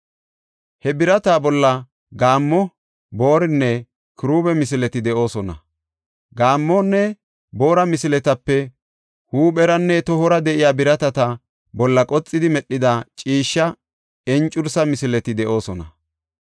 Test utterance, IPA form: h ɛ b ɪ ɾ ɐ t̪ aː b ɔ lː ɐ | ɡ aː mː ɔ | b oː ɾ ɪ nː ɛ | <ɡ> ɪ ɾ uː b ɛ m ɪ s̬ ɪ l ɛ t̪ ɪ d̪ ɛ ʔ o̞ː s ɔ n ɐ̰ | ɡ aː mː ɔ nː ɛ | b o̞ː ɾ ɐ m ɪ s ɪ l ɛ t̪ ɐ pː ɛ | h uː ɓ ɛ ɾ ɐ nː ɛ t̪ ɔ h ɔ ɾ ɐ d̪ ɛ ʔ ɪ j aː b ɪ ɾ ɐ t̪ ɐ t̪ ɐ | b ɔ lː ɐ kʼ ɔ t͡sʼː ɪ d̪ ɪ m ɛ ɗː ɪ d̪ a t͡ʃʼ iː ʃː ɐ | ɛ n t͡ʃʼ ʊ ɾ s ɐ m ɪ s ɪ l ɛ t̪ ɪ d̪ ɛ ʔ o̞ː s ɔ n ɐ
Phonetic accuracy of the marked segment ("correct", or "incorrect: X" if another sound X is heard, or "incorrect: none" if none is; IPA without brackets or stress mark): incorrect: k